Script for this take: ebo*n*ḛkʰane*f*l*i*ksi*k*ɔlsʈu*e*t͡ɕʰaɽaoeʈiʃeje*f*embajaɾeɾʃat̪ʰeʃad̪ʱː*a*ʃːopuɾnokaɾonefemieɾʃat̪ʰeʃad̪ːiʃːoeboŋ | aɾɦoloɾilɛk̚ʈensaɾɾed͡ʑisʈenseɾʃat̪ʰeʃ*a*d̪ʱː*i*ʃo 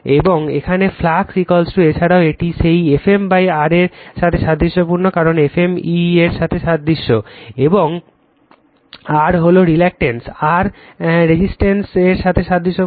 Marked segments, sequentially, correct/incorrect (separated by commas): incorrect, correct, incorrect, correct, correct, correct, incorrect, correct, correct